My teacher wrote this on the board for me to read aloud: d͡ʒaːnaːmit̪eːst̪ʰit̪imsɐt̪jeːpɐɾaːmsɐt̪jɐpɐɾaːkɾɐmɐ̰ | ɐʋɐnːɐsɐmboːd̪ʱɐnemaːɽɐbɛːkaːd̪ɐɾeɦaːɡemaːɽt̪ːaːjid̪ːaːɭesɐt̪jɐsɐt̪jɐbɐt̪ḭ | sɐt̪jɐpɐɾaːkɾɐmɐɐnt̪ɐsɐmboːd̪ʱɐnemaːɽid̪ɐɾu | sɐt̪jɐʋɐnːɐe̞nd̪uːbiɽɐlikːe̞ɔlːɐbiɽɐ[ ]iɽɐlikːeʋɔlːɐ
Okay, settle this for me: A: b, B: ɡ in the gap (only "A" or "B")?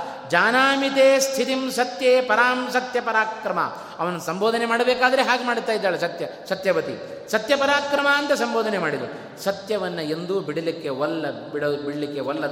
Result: A